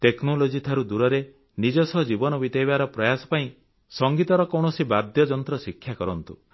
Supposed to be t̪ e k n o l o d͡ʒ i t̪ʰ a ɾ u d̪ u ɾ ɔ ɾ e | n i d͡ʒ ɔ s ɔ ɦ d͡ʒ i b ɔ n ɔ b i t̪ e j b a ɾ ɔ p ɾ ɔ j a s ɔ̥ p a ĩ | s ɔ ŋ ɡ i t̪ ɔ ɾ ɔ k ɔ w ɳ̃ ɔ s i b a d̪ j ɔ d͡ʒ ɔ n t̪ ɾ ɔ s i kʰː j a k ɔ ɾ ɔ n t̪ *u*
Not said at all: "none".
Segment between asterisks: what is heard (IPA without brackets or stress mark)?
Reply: u